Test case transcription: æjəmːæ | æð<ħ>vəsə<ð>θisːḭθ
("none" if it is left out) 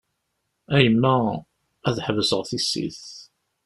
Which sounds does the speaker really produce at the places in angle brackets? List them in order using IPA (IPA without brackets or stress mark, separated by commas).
ħ, ʁ